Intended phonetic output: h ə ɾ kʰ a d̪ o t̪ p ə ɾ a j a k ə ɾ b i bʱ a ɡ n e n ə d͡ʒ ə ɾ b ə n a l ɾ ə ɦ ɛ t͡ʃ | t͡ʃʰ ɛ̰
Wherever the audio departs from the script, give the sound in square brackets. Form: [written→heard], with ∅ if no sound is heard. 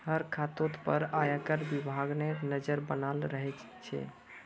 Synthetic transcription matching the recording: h ə ɾ kʰ a [d̪→t̪] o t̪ p ə ɾ a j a k ə ɾ b i bʱ a ɡ n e n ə d͡ʒ ə ɾ b ə n a l ɾ ə ɦ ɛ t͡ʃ | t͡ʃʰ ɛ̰